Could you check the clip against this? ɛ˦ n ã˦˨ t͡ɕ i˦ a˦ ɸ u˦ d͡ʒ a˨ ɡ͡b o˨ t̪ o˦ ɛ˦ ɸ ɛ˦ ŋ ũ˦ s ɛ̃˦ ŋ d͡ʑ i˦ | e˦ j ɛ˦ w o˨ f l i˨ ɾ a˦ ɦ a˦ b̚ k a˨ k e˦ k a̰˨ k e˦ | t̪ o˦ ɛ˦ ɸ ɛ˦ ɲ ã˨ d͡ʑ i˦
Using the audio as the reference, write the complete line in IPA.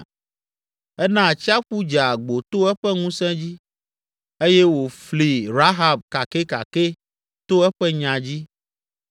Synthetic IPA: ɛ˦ n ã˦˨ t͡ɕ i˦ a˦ ɸ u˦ d͡ʒ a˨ ɡ͡b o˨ t̪ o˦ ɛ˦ ɸ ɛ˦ ŋ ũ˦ s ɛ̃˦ d͡ʑ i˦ | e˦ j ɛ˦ w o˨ f l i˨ ɾ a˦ ɦ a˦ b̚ k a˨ k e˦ k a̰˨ k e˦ | t̪ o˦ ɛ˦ ɸ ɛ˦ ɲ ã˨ d͡ʑ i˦